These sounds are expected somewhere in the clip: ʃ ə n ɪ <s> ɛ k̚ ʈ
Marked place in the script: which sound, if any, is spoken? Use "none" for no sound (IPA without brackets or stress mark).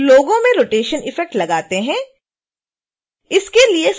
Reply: f